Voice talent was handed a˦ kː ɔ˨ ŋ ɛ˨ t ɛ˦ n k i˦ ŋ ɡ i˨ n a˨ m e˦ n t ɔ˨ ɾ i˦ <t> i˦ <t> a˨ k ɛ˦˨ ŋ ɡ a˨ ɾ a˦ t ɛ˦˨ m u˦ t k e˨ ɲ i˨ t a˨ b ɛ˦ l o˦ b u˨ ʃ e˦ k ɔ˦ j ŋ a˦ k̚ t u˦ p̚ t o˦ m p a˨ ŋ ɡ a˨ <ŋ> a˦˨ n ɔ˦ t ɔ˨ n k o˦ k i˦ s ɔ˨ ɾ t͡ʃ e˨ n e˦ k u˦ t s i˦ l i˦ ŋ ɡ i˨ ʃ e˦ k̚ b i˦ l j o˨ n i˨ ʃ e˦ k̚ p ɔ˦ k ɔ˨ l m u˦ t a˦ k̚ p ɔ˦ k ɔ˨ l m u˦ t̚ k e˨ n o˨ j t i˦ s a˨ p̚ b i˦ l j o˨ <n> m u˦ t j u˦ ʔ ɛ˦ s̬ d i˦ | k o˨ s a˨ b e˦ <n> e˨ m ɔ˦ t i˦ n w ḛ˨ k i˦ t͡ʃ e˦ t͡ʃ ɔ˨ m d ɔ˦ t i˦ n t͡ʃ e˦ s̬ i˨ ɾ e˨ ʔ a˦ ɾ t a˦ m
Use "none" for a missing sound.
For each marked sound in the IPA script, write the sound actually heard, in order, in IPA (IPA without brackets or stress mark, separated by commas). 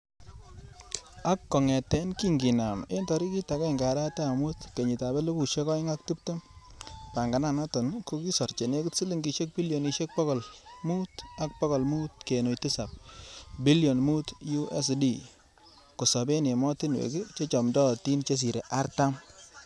k, t, n, n, n